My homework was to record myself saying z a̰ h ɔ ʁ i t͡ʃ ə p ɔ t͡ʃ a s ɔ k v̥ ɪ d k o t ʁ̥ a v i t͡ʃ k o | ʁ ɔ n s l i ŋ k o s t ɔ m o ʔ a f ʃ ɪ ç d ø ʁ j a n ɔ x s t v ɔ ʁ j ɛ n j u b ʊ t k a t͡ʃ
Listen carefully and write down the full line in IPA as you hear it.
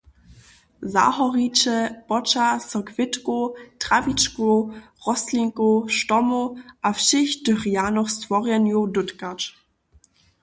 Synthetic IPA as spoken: z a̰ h ɔ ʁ i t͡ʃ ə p ɔ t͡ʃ a s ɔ k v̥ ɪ t k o t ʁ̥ a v i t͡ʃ k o | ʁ ɔ s l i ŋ k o ʃ t ɔ m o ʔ a f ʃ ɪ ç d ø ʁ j a n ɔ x s t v ɔ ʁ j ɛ n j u d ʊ t k a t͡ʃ